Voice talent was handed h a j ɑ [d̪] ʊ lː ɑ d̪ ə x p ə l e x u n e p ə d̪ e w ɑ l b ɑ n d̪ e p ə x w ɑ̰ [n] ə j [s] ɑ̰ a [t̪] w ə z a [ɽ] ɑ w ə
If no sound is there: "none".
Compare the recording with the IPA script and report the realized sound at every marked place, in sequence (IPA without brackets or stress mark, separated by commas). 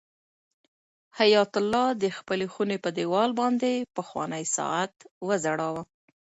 t̪, n, s, t̪, ɽ